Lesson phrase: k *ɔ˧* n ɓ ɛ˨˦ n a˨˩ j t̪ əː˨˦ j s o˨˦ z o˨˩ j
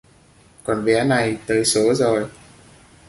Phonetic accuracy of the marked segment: incorrect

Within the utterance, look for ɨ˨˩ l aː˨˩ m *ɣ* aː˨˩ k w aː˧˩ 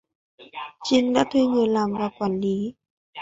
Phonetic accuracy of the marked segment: incorrect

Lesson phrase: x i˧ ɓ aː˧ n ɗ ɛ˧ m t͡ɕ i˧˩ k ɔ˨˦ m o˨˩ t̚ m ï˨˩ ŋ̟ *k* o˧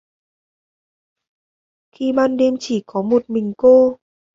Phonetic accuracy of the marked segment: correct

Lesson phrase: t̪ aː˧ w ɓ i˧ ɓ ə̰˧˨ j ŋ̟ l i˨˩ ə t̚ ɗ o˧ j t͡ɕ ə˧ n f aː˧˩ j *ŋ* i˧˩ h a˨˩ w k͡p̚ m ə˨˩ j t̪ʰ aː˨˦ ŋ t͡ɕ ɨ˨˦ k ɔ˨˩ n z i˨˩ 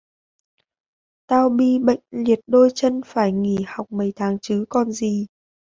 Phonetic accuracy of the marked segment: correct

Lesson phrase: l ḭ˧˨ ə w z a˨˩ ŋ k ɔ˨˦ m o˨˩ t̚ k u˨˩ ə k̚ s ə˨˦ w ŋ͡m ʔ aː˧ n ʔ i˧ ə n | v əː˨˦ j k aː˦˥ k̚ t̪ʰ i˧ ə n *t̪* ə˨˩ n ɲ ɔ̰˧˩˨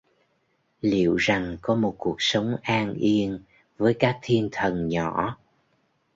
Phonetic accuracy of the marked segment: incorrect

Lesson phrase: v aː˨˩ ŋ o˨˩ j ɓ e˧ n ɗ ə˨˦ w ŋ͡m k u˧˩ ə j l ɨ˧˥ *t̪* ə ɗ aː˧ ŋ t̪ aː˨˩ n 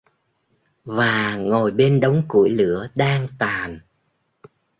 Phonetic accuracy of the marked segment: incorrect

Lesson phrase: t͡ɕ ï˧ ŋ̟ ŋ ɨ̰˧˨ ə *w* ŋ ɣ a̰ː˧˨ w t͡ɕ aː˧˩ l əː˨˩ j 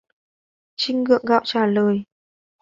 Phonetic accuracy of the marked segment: incorrect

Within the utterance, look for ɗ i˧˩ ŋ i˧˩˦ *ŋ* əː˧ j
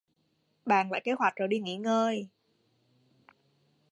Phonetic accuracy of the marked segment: correct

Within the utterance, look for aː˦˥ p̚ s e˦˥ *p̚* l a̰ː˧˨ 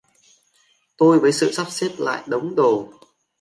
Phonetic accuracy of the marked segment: incorrect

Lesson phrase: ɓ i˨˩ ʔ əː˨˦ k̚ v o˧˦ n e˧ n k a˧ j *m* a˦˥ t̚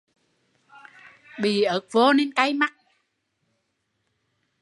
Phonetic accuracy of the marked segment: correct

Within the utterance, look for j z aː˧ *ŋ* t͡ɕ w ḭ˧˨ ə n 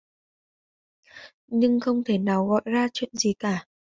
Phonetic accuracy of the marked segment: incorrect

